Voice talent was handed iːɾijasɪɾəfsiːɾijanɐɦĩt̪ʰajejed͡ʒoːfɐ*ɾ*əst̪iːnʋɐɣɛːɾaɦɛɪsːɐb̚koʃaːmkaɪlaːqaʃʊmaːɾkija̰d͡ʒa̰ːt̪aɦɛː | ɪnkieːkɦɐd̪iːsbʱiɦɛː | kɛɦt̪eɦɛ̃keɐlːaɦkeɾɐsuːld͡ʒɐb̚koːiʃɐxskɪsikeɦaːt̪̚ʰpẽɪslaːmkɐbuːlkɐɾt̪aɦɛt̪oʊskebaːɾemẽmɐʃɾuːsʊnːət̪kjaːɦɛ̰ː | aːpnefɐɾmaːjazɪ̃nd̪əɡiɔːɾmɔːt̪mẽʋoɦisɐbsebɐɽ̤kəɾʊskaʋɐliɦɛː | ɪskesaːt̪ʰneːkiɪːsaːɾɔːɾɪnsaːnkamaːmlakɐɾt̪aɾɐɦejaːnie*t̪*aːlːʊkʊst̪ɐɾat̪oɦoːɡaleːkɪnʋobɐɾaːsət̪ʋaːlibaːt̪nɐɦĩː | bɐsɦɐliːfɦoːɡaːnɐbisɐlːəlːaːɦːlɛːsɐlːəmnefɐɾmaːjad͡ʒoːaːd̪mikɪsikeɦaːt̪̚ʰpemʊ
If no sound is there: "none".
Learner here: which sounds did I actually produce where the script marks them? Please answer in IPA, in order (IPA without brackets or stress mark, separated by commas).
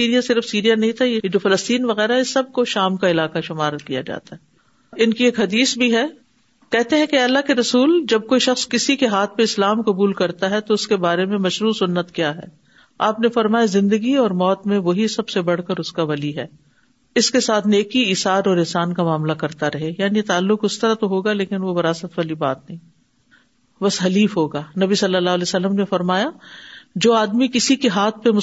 l, t̪